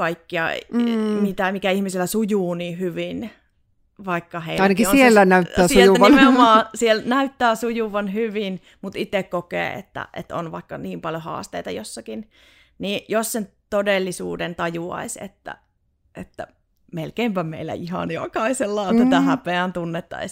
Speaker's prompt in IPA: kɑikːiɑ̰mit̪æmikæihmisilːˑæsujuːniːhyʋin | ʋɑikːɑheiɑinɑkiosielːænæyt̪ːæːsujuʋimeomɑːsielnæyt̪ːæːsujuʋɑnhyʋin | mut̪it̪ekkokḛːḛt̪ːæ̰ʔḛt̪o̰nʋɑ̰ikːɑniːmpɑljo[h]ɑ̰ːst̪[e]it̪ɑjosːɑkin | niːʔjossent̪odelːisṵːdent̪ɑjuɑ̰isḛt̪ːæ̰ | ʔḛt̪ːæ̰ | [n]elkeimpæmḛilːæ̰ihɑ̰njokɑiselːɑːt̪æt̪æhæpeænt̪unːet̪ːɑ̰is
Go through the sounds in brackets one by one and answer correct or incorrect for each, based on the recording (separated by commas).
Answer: correct, correct, incorrect